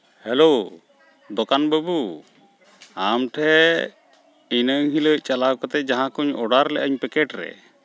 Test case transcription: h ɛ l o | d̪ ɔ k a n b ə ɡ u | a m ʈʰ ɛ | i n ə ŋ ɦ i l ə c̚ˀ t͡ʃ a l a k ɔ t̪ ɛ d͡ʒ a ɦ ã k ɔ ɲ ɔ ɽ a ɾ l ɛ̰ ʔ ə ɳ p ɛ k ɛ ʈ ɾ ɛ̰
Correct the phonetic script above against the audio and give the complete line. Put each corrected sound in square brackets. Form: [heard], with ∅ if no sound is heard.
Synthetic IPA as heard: h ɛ l o | d̪ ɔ k a n b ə [b] u | a m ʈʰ ɛ | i n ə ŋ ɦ i l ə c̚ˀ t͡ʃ a l a k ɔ t̪ ɛ d͡ʒ a ɦ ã k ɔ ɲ ɔ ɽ a ɾ l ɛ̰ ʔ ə [ɲ] p ɛ k ɛ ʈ ɾ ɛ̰

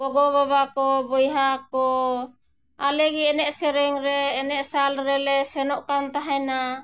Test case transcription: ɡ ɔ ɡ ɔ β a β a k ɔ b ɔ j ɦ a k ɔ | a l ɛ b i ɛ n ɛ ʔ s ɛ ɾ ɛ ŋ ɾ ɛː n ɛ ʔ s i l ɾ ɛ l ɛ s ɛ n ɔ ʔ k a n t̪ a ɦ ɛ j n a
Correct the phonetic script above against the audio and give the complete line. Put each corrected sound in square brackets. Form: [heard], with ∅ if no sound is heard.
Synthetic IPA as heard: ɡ ɔ ɡ ɔ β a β a k ɔ b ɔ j ɦ a k ɔ | a l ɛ [ɡ] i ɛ n ɛ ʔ s ɛ ɾ ɛ ŋ ɾ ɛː n ɛ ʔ s [a] l ɾ ɛ l ɛ s ɛ n ɔ ʔ k a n t̪ a ɦ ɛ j n a

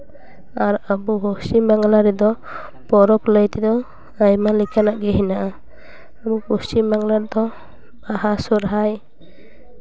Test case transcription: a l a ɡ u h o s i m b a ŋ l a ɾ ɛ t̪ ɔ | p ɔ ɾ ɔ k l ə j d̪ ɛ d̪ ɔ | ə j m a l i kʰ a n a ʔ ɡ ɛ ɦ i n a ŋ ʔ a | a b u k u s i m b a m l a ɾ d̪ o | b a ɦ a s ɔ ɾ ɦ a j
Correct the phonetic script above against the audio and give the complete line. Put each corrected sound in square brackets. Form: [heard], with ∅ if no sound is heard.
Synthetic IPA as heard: a [ɾ] a [b] u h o s i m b a ŋ l a ɾ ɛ [d̪] ɔ | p ɔ ɾ ɔ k l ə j [t̪] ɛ d̪ ɔ | [a] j m a l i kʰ a n a ʔ ɡ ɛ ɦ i n a [∅] ʔ a | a b u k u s i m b a [ŋ] l a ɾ d̪ [ɔ] | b a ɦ a s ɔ ɾ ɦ a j

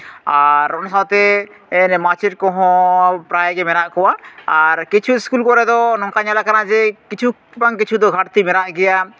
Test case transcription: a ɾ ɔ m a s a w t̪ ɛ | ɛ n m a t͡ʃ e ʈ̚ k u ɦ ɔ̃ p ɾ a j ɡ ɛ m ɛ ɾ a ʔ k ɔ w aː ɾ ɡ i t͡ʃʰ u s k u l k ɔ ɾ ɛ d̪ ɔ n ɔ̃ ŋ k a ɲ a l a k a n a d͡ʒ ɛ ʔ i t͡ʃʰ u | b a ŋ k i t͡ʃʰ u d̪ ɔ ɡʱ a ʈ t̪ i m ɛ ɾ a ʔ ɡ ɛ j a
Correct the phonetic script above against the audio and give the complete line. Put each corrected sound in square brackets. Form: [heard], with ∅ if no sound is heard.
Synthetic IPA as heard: a ɾ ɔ [n] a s a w t̪ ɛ | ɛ n m a t͡ʃ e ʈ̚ k [ɔ] ɦ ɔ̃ p ɾ a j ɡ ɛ m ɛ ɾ a ʔ k ɔ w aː ɾ [k] i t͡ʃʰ u s k u l k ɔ ɾ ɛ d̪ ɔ n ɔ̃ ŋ k a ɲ a l a k a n a d͡ʒ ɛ [k] i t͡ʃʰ u | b a ŋ k i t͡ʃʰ u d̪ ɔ ɡʱ a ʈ t̪ i m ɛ ɾ a ʔ ɡ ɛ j a

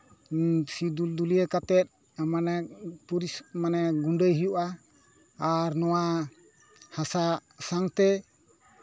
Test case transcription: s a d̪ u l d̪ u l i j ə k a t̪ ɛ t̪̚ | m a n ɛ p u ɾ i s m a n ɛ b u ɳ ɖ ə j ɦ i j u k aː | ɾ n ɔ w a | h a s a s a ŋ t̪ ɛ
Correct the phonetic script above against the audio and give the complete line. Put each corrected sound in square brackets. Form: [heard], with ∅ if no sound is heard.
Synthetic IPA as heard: s [i] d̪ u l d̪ u l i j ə k a t̪ ɛ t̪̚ | m a n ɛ p u ɾ i s m a n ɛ [ɡ] u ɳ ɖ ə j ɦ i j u [ʔ] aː | ɾ n ɔ w a | h a s a s a ŋ t̪ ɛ

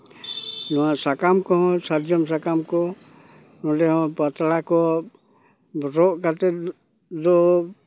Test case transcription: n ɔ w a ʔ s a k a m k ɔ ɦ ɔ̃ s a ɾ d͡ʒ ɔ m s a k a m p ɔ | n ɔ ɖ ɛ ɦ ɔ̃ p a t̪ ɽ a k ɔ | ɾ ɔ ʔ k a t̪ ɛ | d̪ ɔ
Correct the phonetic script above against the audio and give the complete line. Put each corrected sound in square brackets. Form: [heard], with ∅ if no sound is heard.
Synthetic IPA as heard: n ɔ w a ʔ s a k a m k ɔ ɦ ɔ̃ s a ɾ d͡ʒ ɔ m s a k a m [k] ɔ | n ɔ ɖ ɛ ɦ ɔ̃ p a t̪ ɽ a k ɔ | ɾ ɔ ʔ k a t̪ ɛ | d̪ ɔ

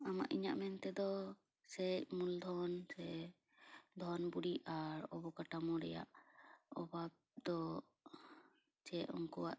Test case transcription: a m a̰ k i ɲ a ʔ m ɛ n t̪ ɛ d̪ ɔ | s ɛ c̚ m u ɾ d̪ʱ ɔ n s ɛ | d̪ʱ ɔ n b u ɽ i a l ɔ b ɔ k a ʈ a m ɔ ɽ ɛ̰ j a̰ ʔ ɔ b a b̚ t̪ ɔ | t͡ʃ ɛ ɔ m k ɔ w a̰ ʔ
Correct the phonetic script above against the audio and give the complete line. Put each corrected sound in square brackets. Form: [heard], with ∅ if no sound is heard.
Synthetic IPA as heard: a m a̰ [ʔ] i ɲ a ʔ m ɛ n t̪ ɛ d̪ ɔ | s ɛ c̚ m u [l] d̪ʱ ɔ n s ɛ | d̪ʱ ɔ n b u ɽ i a [ɾ] ɔ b ɔ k a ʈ a m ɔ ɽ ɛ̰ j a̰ ʔ ɔ b a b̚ [d̪] ɔ | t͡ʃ ɛ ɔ [ŋ] k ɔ w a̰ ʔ

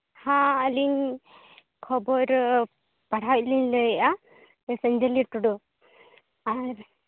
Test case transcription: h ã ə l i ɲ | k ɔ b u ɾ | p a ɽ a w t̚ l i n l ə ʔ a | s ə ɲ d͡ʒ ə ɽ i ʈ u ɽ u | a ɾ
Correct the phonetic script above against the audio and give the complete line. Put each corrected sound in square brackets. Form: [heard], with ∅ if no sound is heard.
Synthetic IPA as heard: h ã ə l i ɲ | [kʰ] ɔ b [ɔ] ɾ | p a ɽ a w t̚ l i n l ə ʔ a | s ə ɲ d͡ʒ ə [l] i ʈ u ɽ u | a ɾ

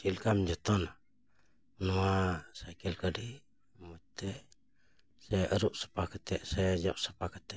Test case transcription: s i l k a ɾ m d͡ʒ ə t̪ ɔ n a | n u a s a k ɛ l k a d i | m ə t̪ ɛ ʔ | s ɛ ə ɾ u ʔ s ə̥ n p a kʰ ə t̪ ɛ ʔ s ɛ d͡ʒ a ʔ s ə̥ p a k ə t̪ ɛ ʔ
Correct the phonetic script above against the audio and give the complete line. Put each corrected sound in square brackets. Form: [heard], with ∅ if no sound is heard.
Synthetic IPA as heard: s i l k a [∅] m d͡ʒ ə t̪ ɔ n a | n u a s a k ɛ l k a d i | m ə t̪ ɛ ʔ | s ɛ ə ɾ u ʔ s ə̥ [∅] p a [k] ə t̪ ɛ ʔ s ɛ d͡ʒ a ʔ s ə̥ p a k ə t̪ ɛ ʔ

